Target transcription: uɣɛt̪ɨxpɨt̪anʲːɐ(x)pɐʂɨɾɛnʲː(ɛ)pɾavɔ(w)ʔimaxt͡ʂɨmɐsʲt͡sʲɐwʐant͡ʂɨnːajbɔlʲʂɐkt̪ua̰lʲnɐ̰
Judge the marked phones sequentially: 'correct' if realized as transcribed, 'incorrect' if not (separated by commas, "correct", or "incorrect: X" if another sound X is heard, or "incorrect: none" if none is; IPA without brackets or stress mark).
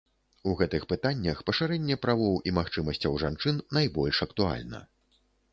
correct, correct, correct